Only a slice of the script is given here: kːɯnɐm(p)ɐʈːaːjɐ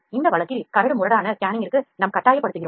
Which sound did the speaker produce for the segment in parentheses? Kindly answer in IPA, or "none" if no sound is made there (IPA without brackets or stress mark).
k